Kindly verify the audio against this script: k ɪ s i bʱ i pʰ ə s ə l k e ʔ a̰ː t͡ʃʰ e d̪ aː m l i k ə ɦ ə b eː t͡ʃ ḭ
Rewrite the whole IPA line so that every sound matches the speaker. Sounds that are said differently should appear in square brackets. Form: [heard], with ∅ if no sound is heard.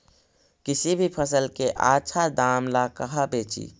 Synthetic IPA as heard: k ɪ s i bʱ i pʰ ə s ə l k e ʔ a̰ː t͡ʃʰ [a] d̪ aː m l [a] k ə ɦ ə b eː t͡ʃ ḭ